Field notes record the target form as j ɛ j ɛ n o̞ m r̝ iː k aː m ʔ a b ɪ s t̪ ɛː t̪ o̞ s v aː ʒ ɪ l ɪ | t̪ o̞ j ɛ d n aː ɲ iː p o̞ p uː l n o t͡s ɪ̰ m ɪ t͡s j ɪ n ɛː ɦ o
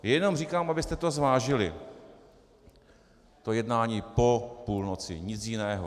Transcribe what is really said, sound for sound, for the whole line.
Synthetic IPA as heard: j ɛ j ɛ n o̞ m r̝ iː k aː m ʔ a b ɪ s t̪ ɛ t̪ o̞ z v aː ʒ ɪ l ɪ | t̪ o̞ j ɛ d n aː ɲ iː p o̞ p uː l n o t͡s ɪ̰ ɲ ɪ t͡s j ɪ n ɛː ɦ o